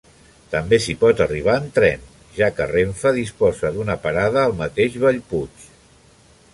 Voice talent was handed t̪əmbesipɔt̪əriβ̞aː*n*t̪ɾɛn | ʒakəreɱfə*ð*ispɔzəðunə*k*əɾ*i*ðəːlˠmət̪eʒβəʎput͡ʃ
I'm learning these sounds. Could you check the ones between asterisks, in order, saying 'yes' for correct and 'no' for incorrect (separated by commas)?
yes, yes, no, no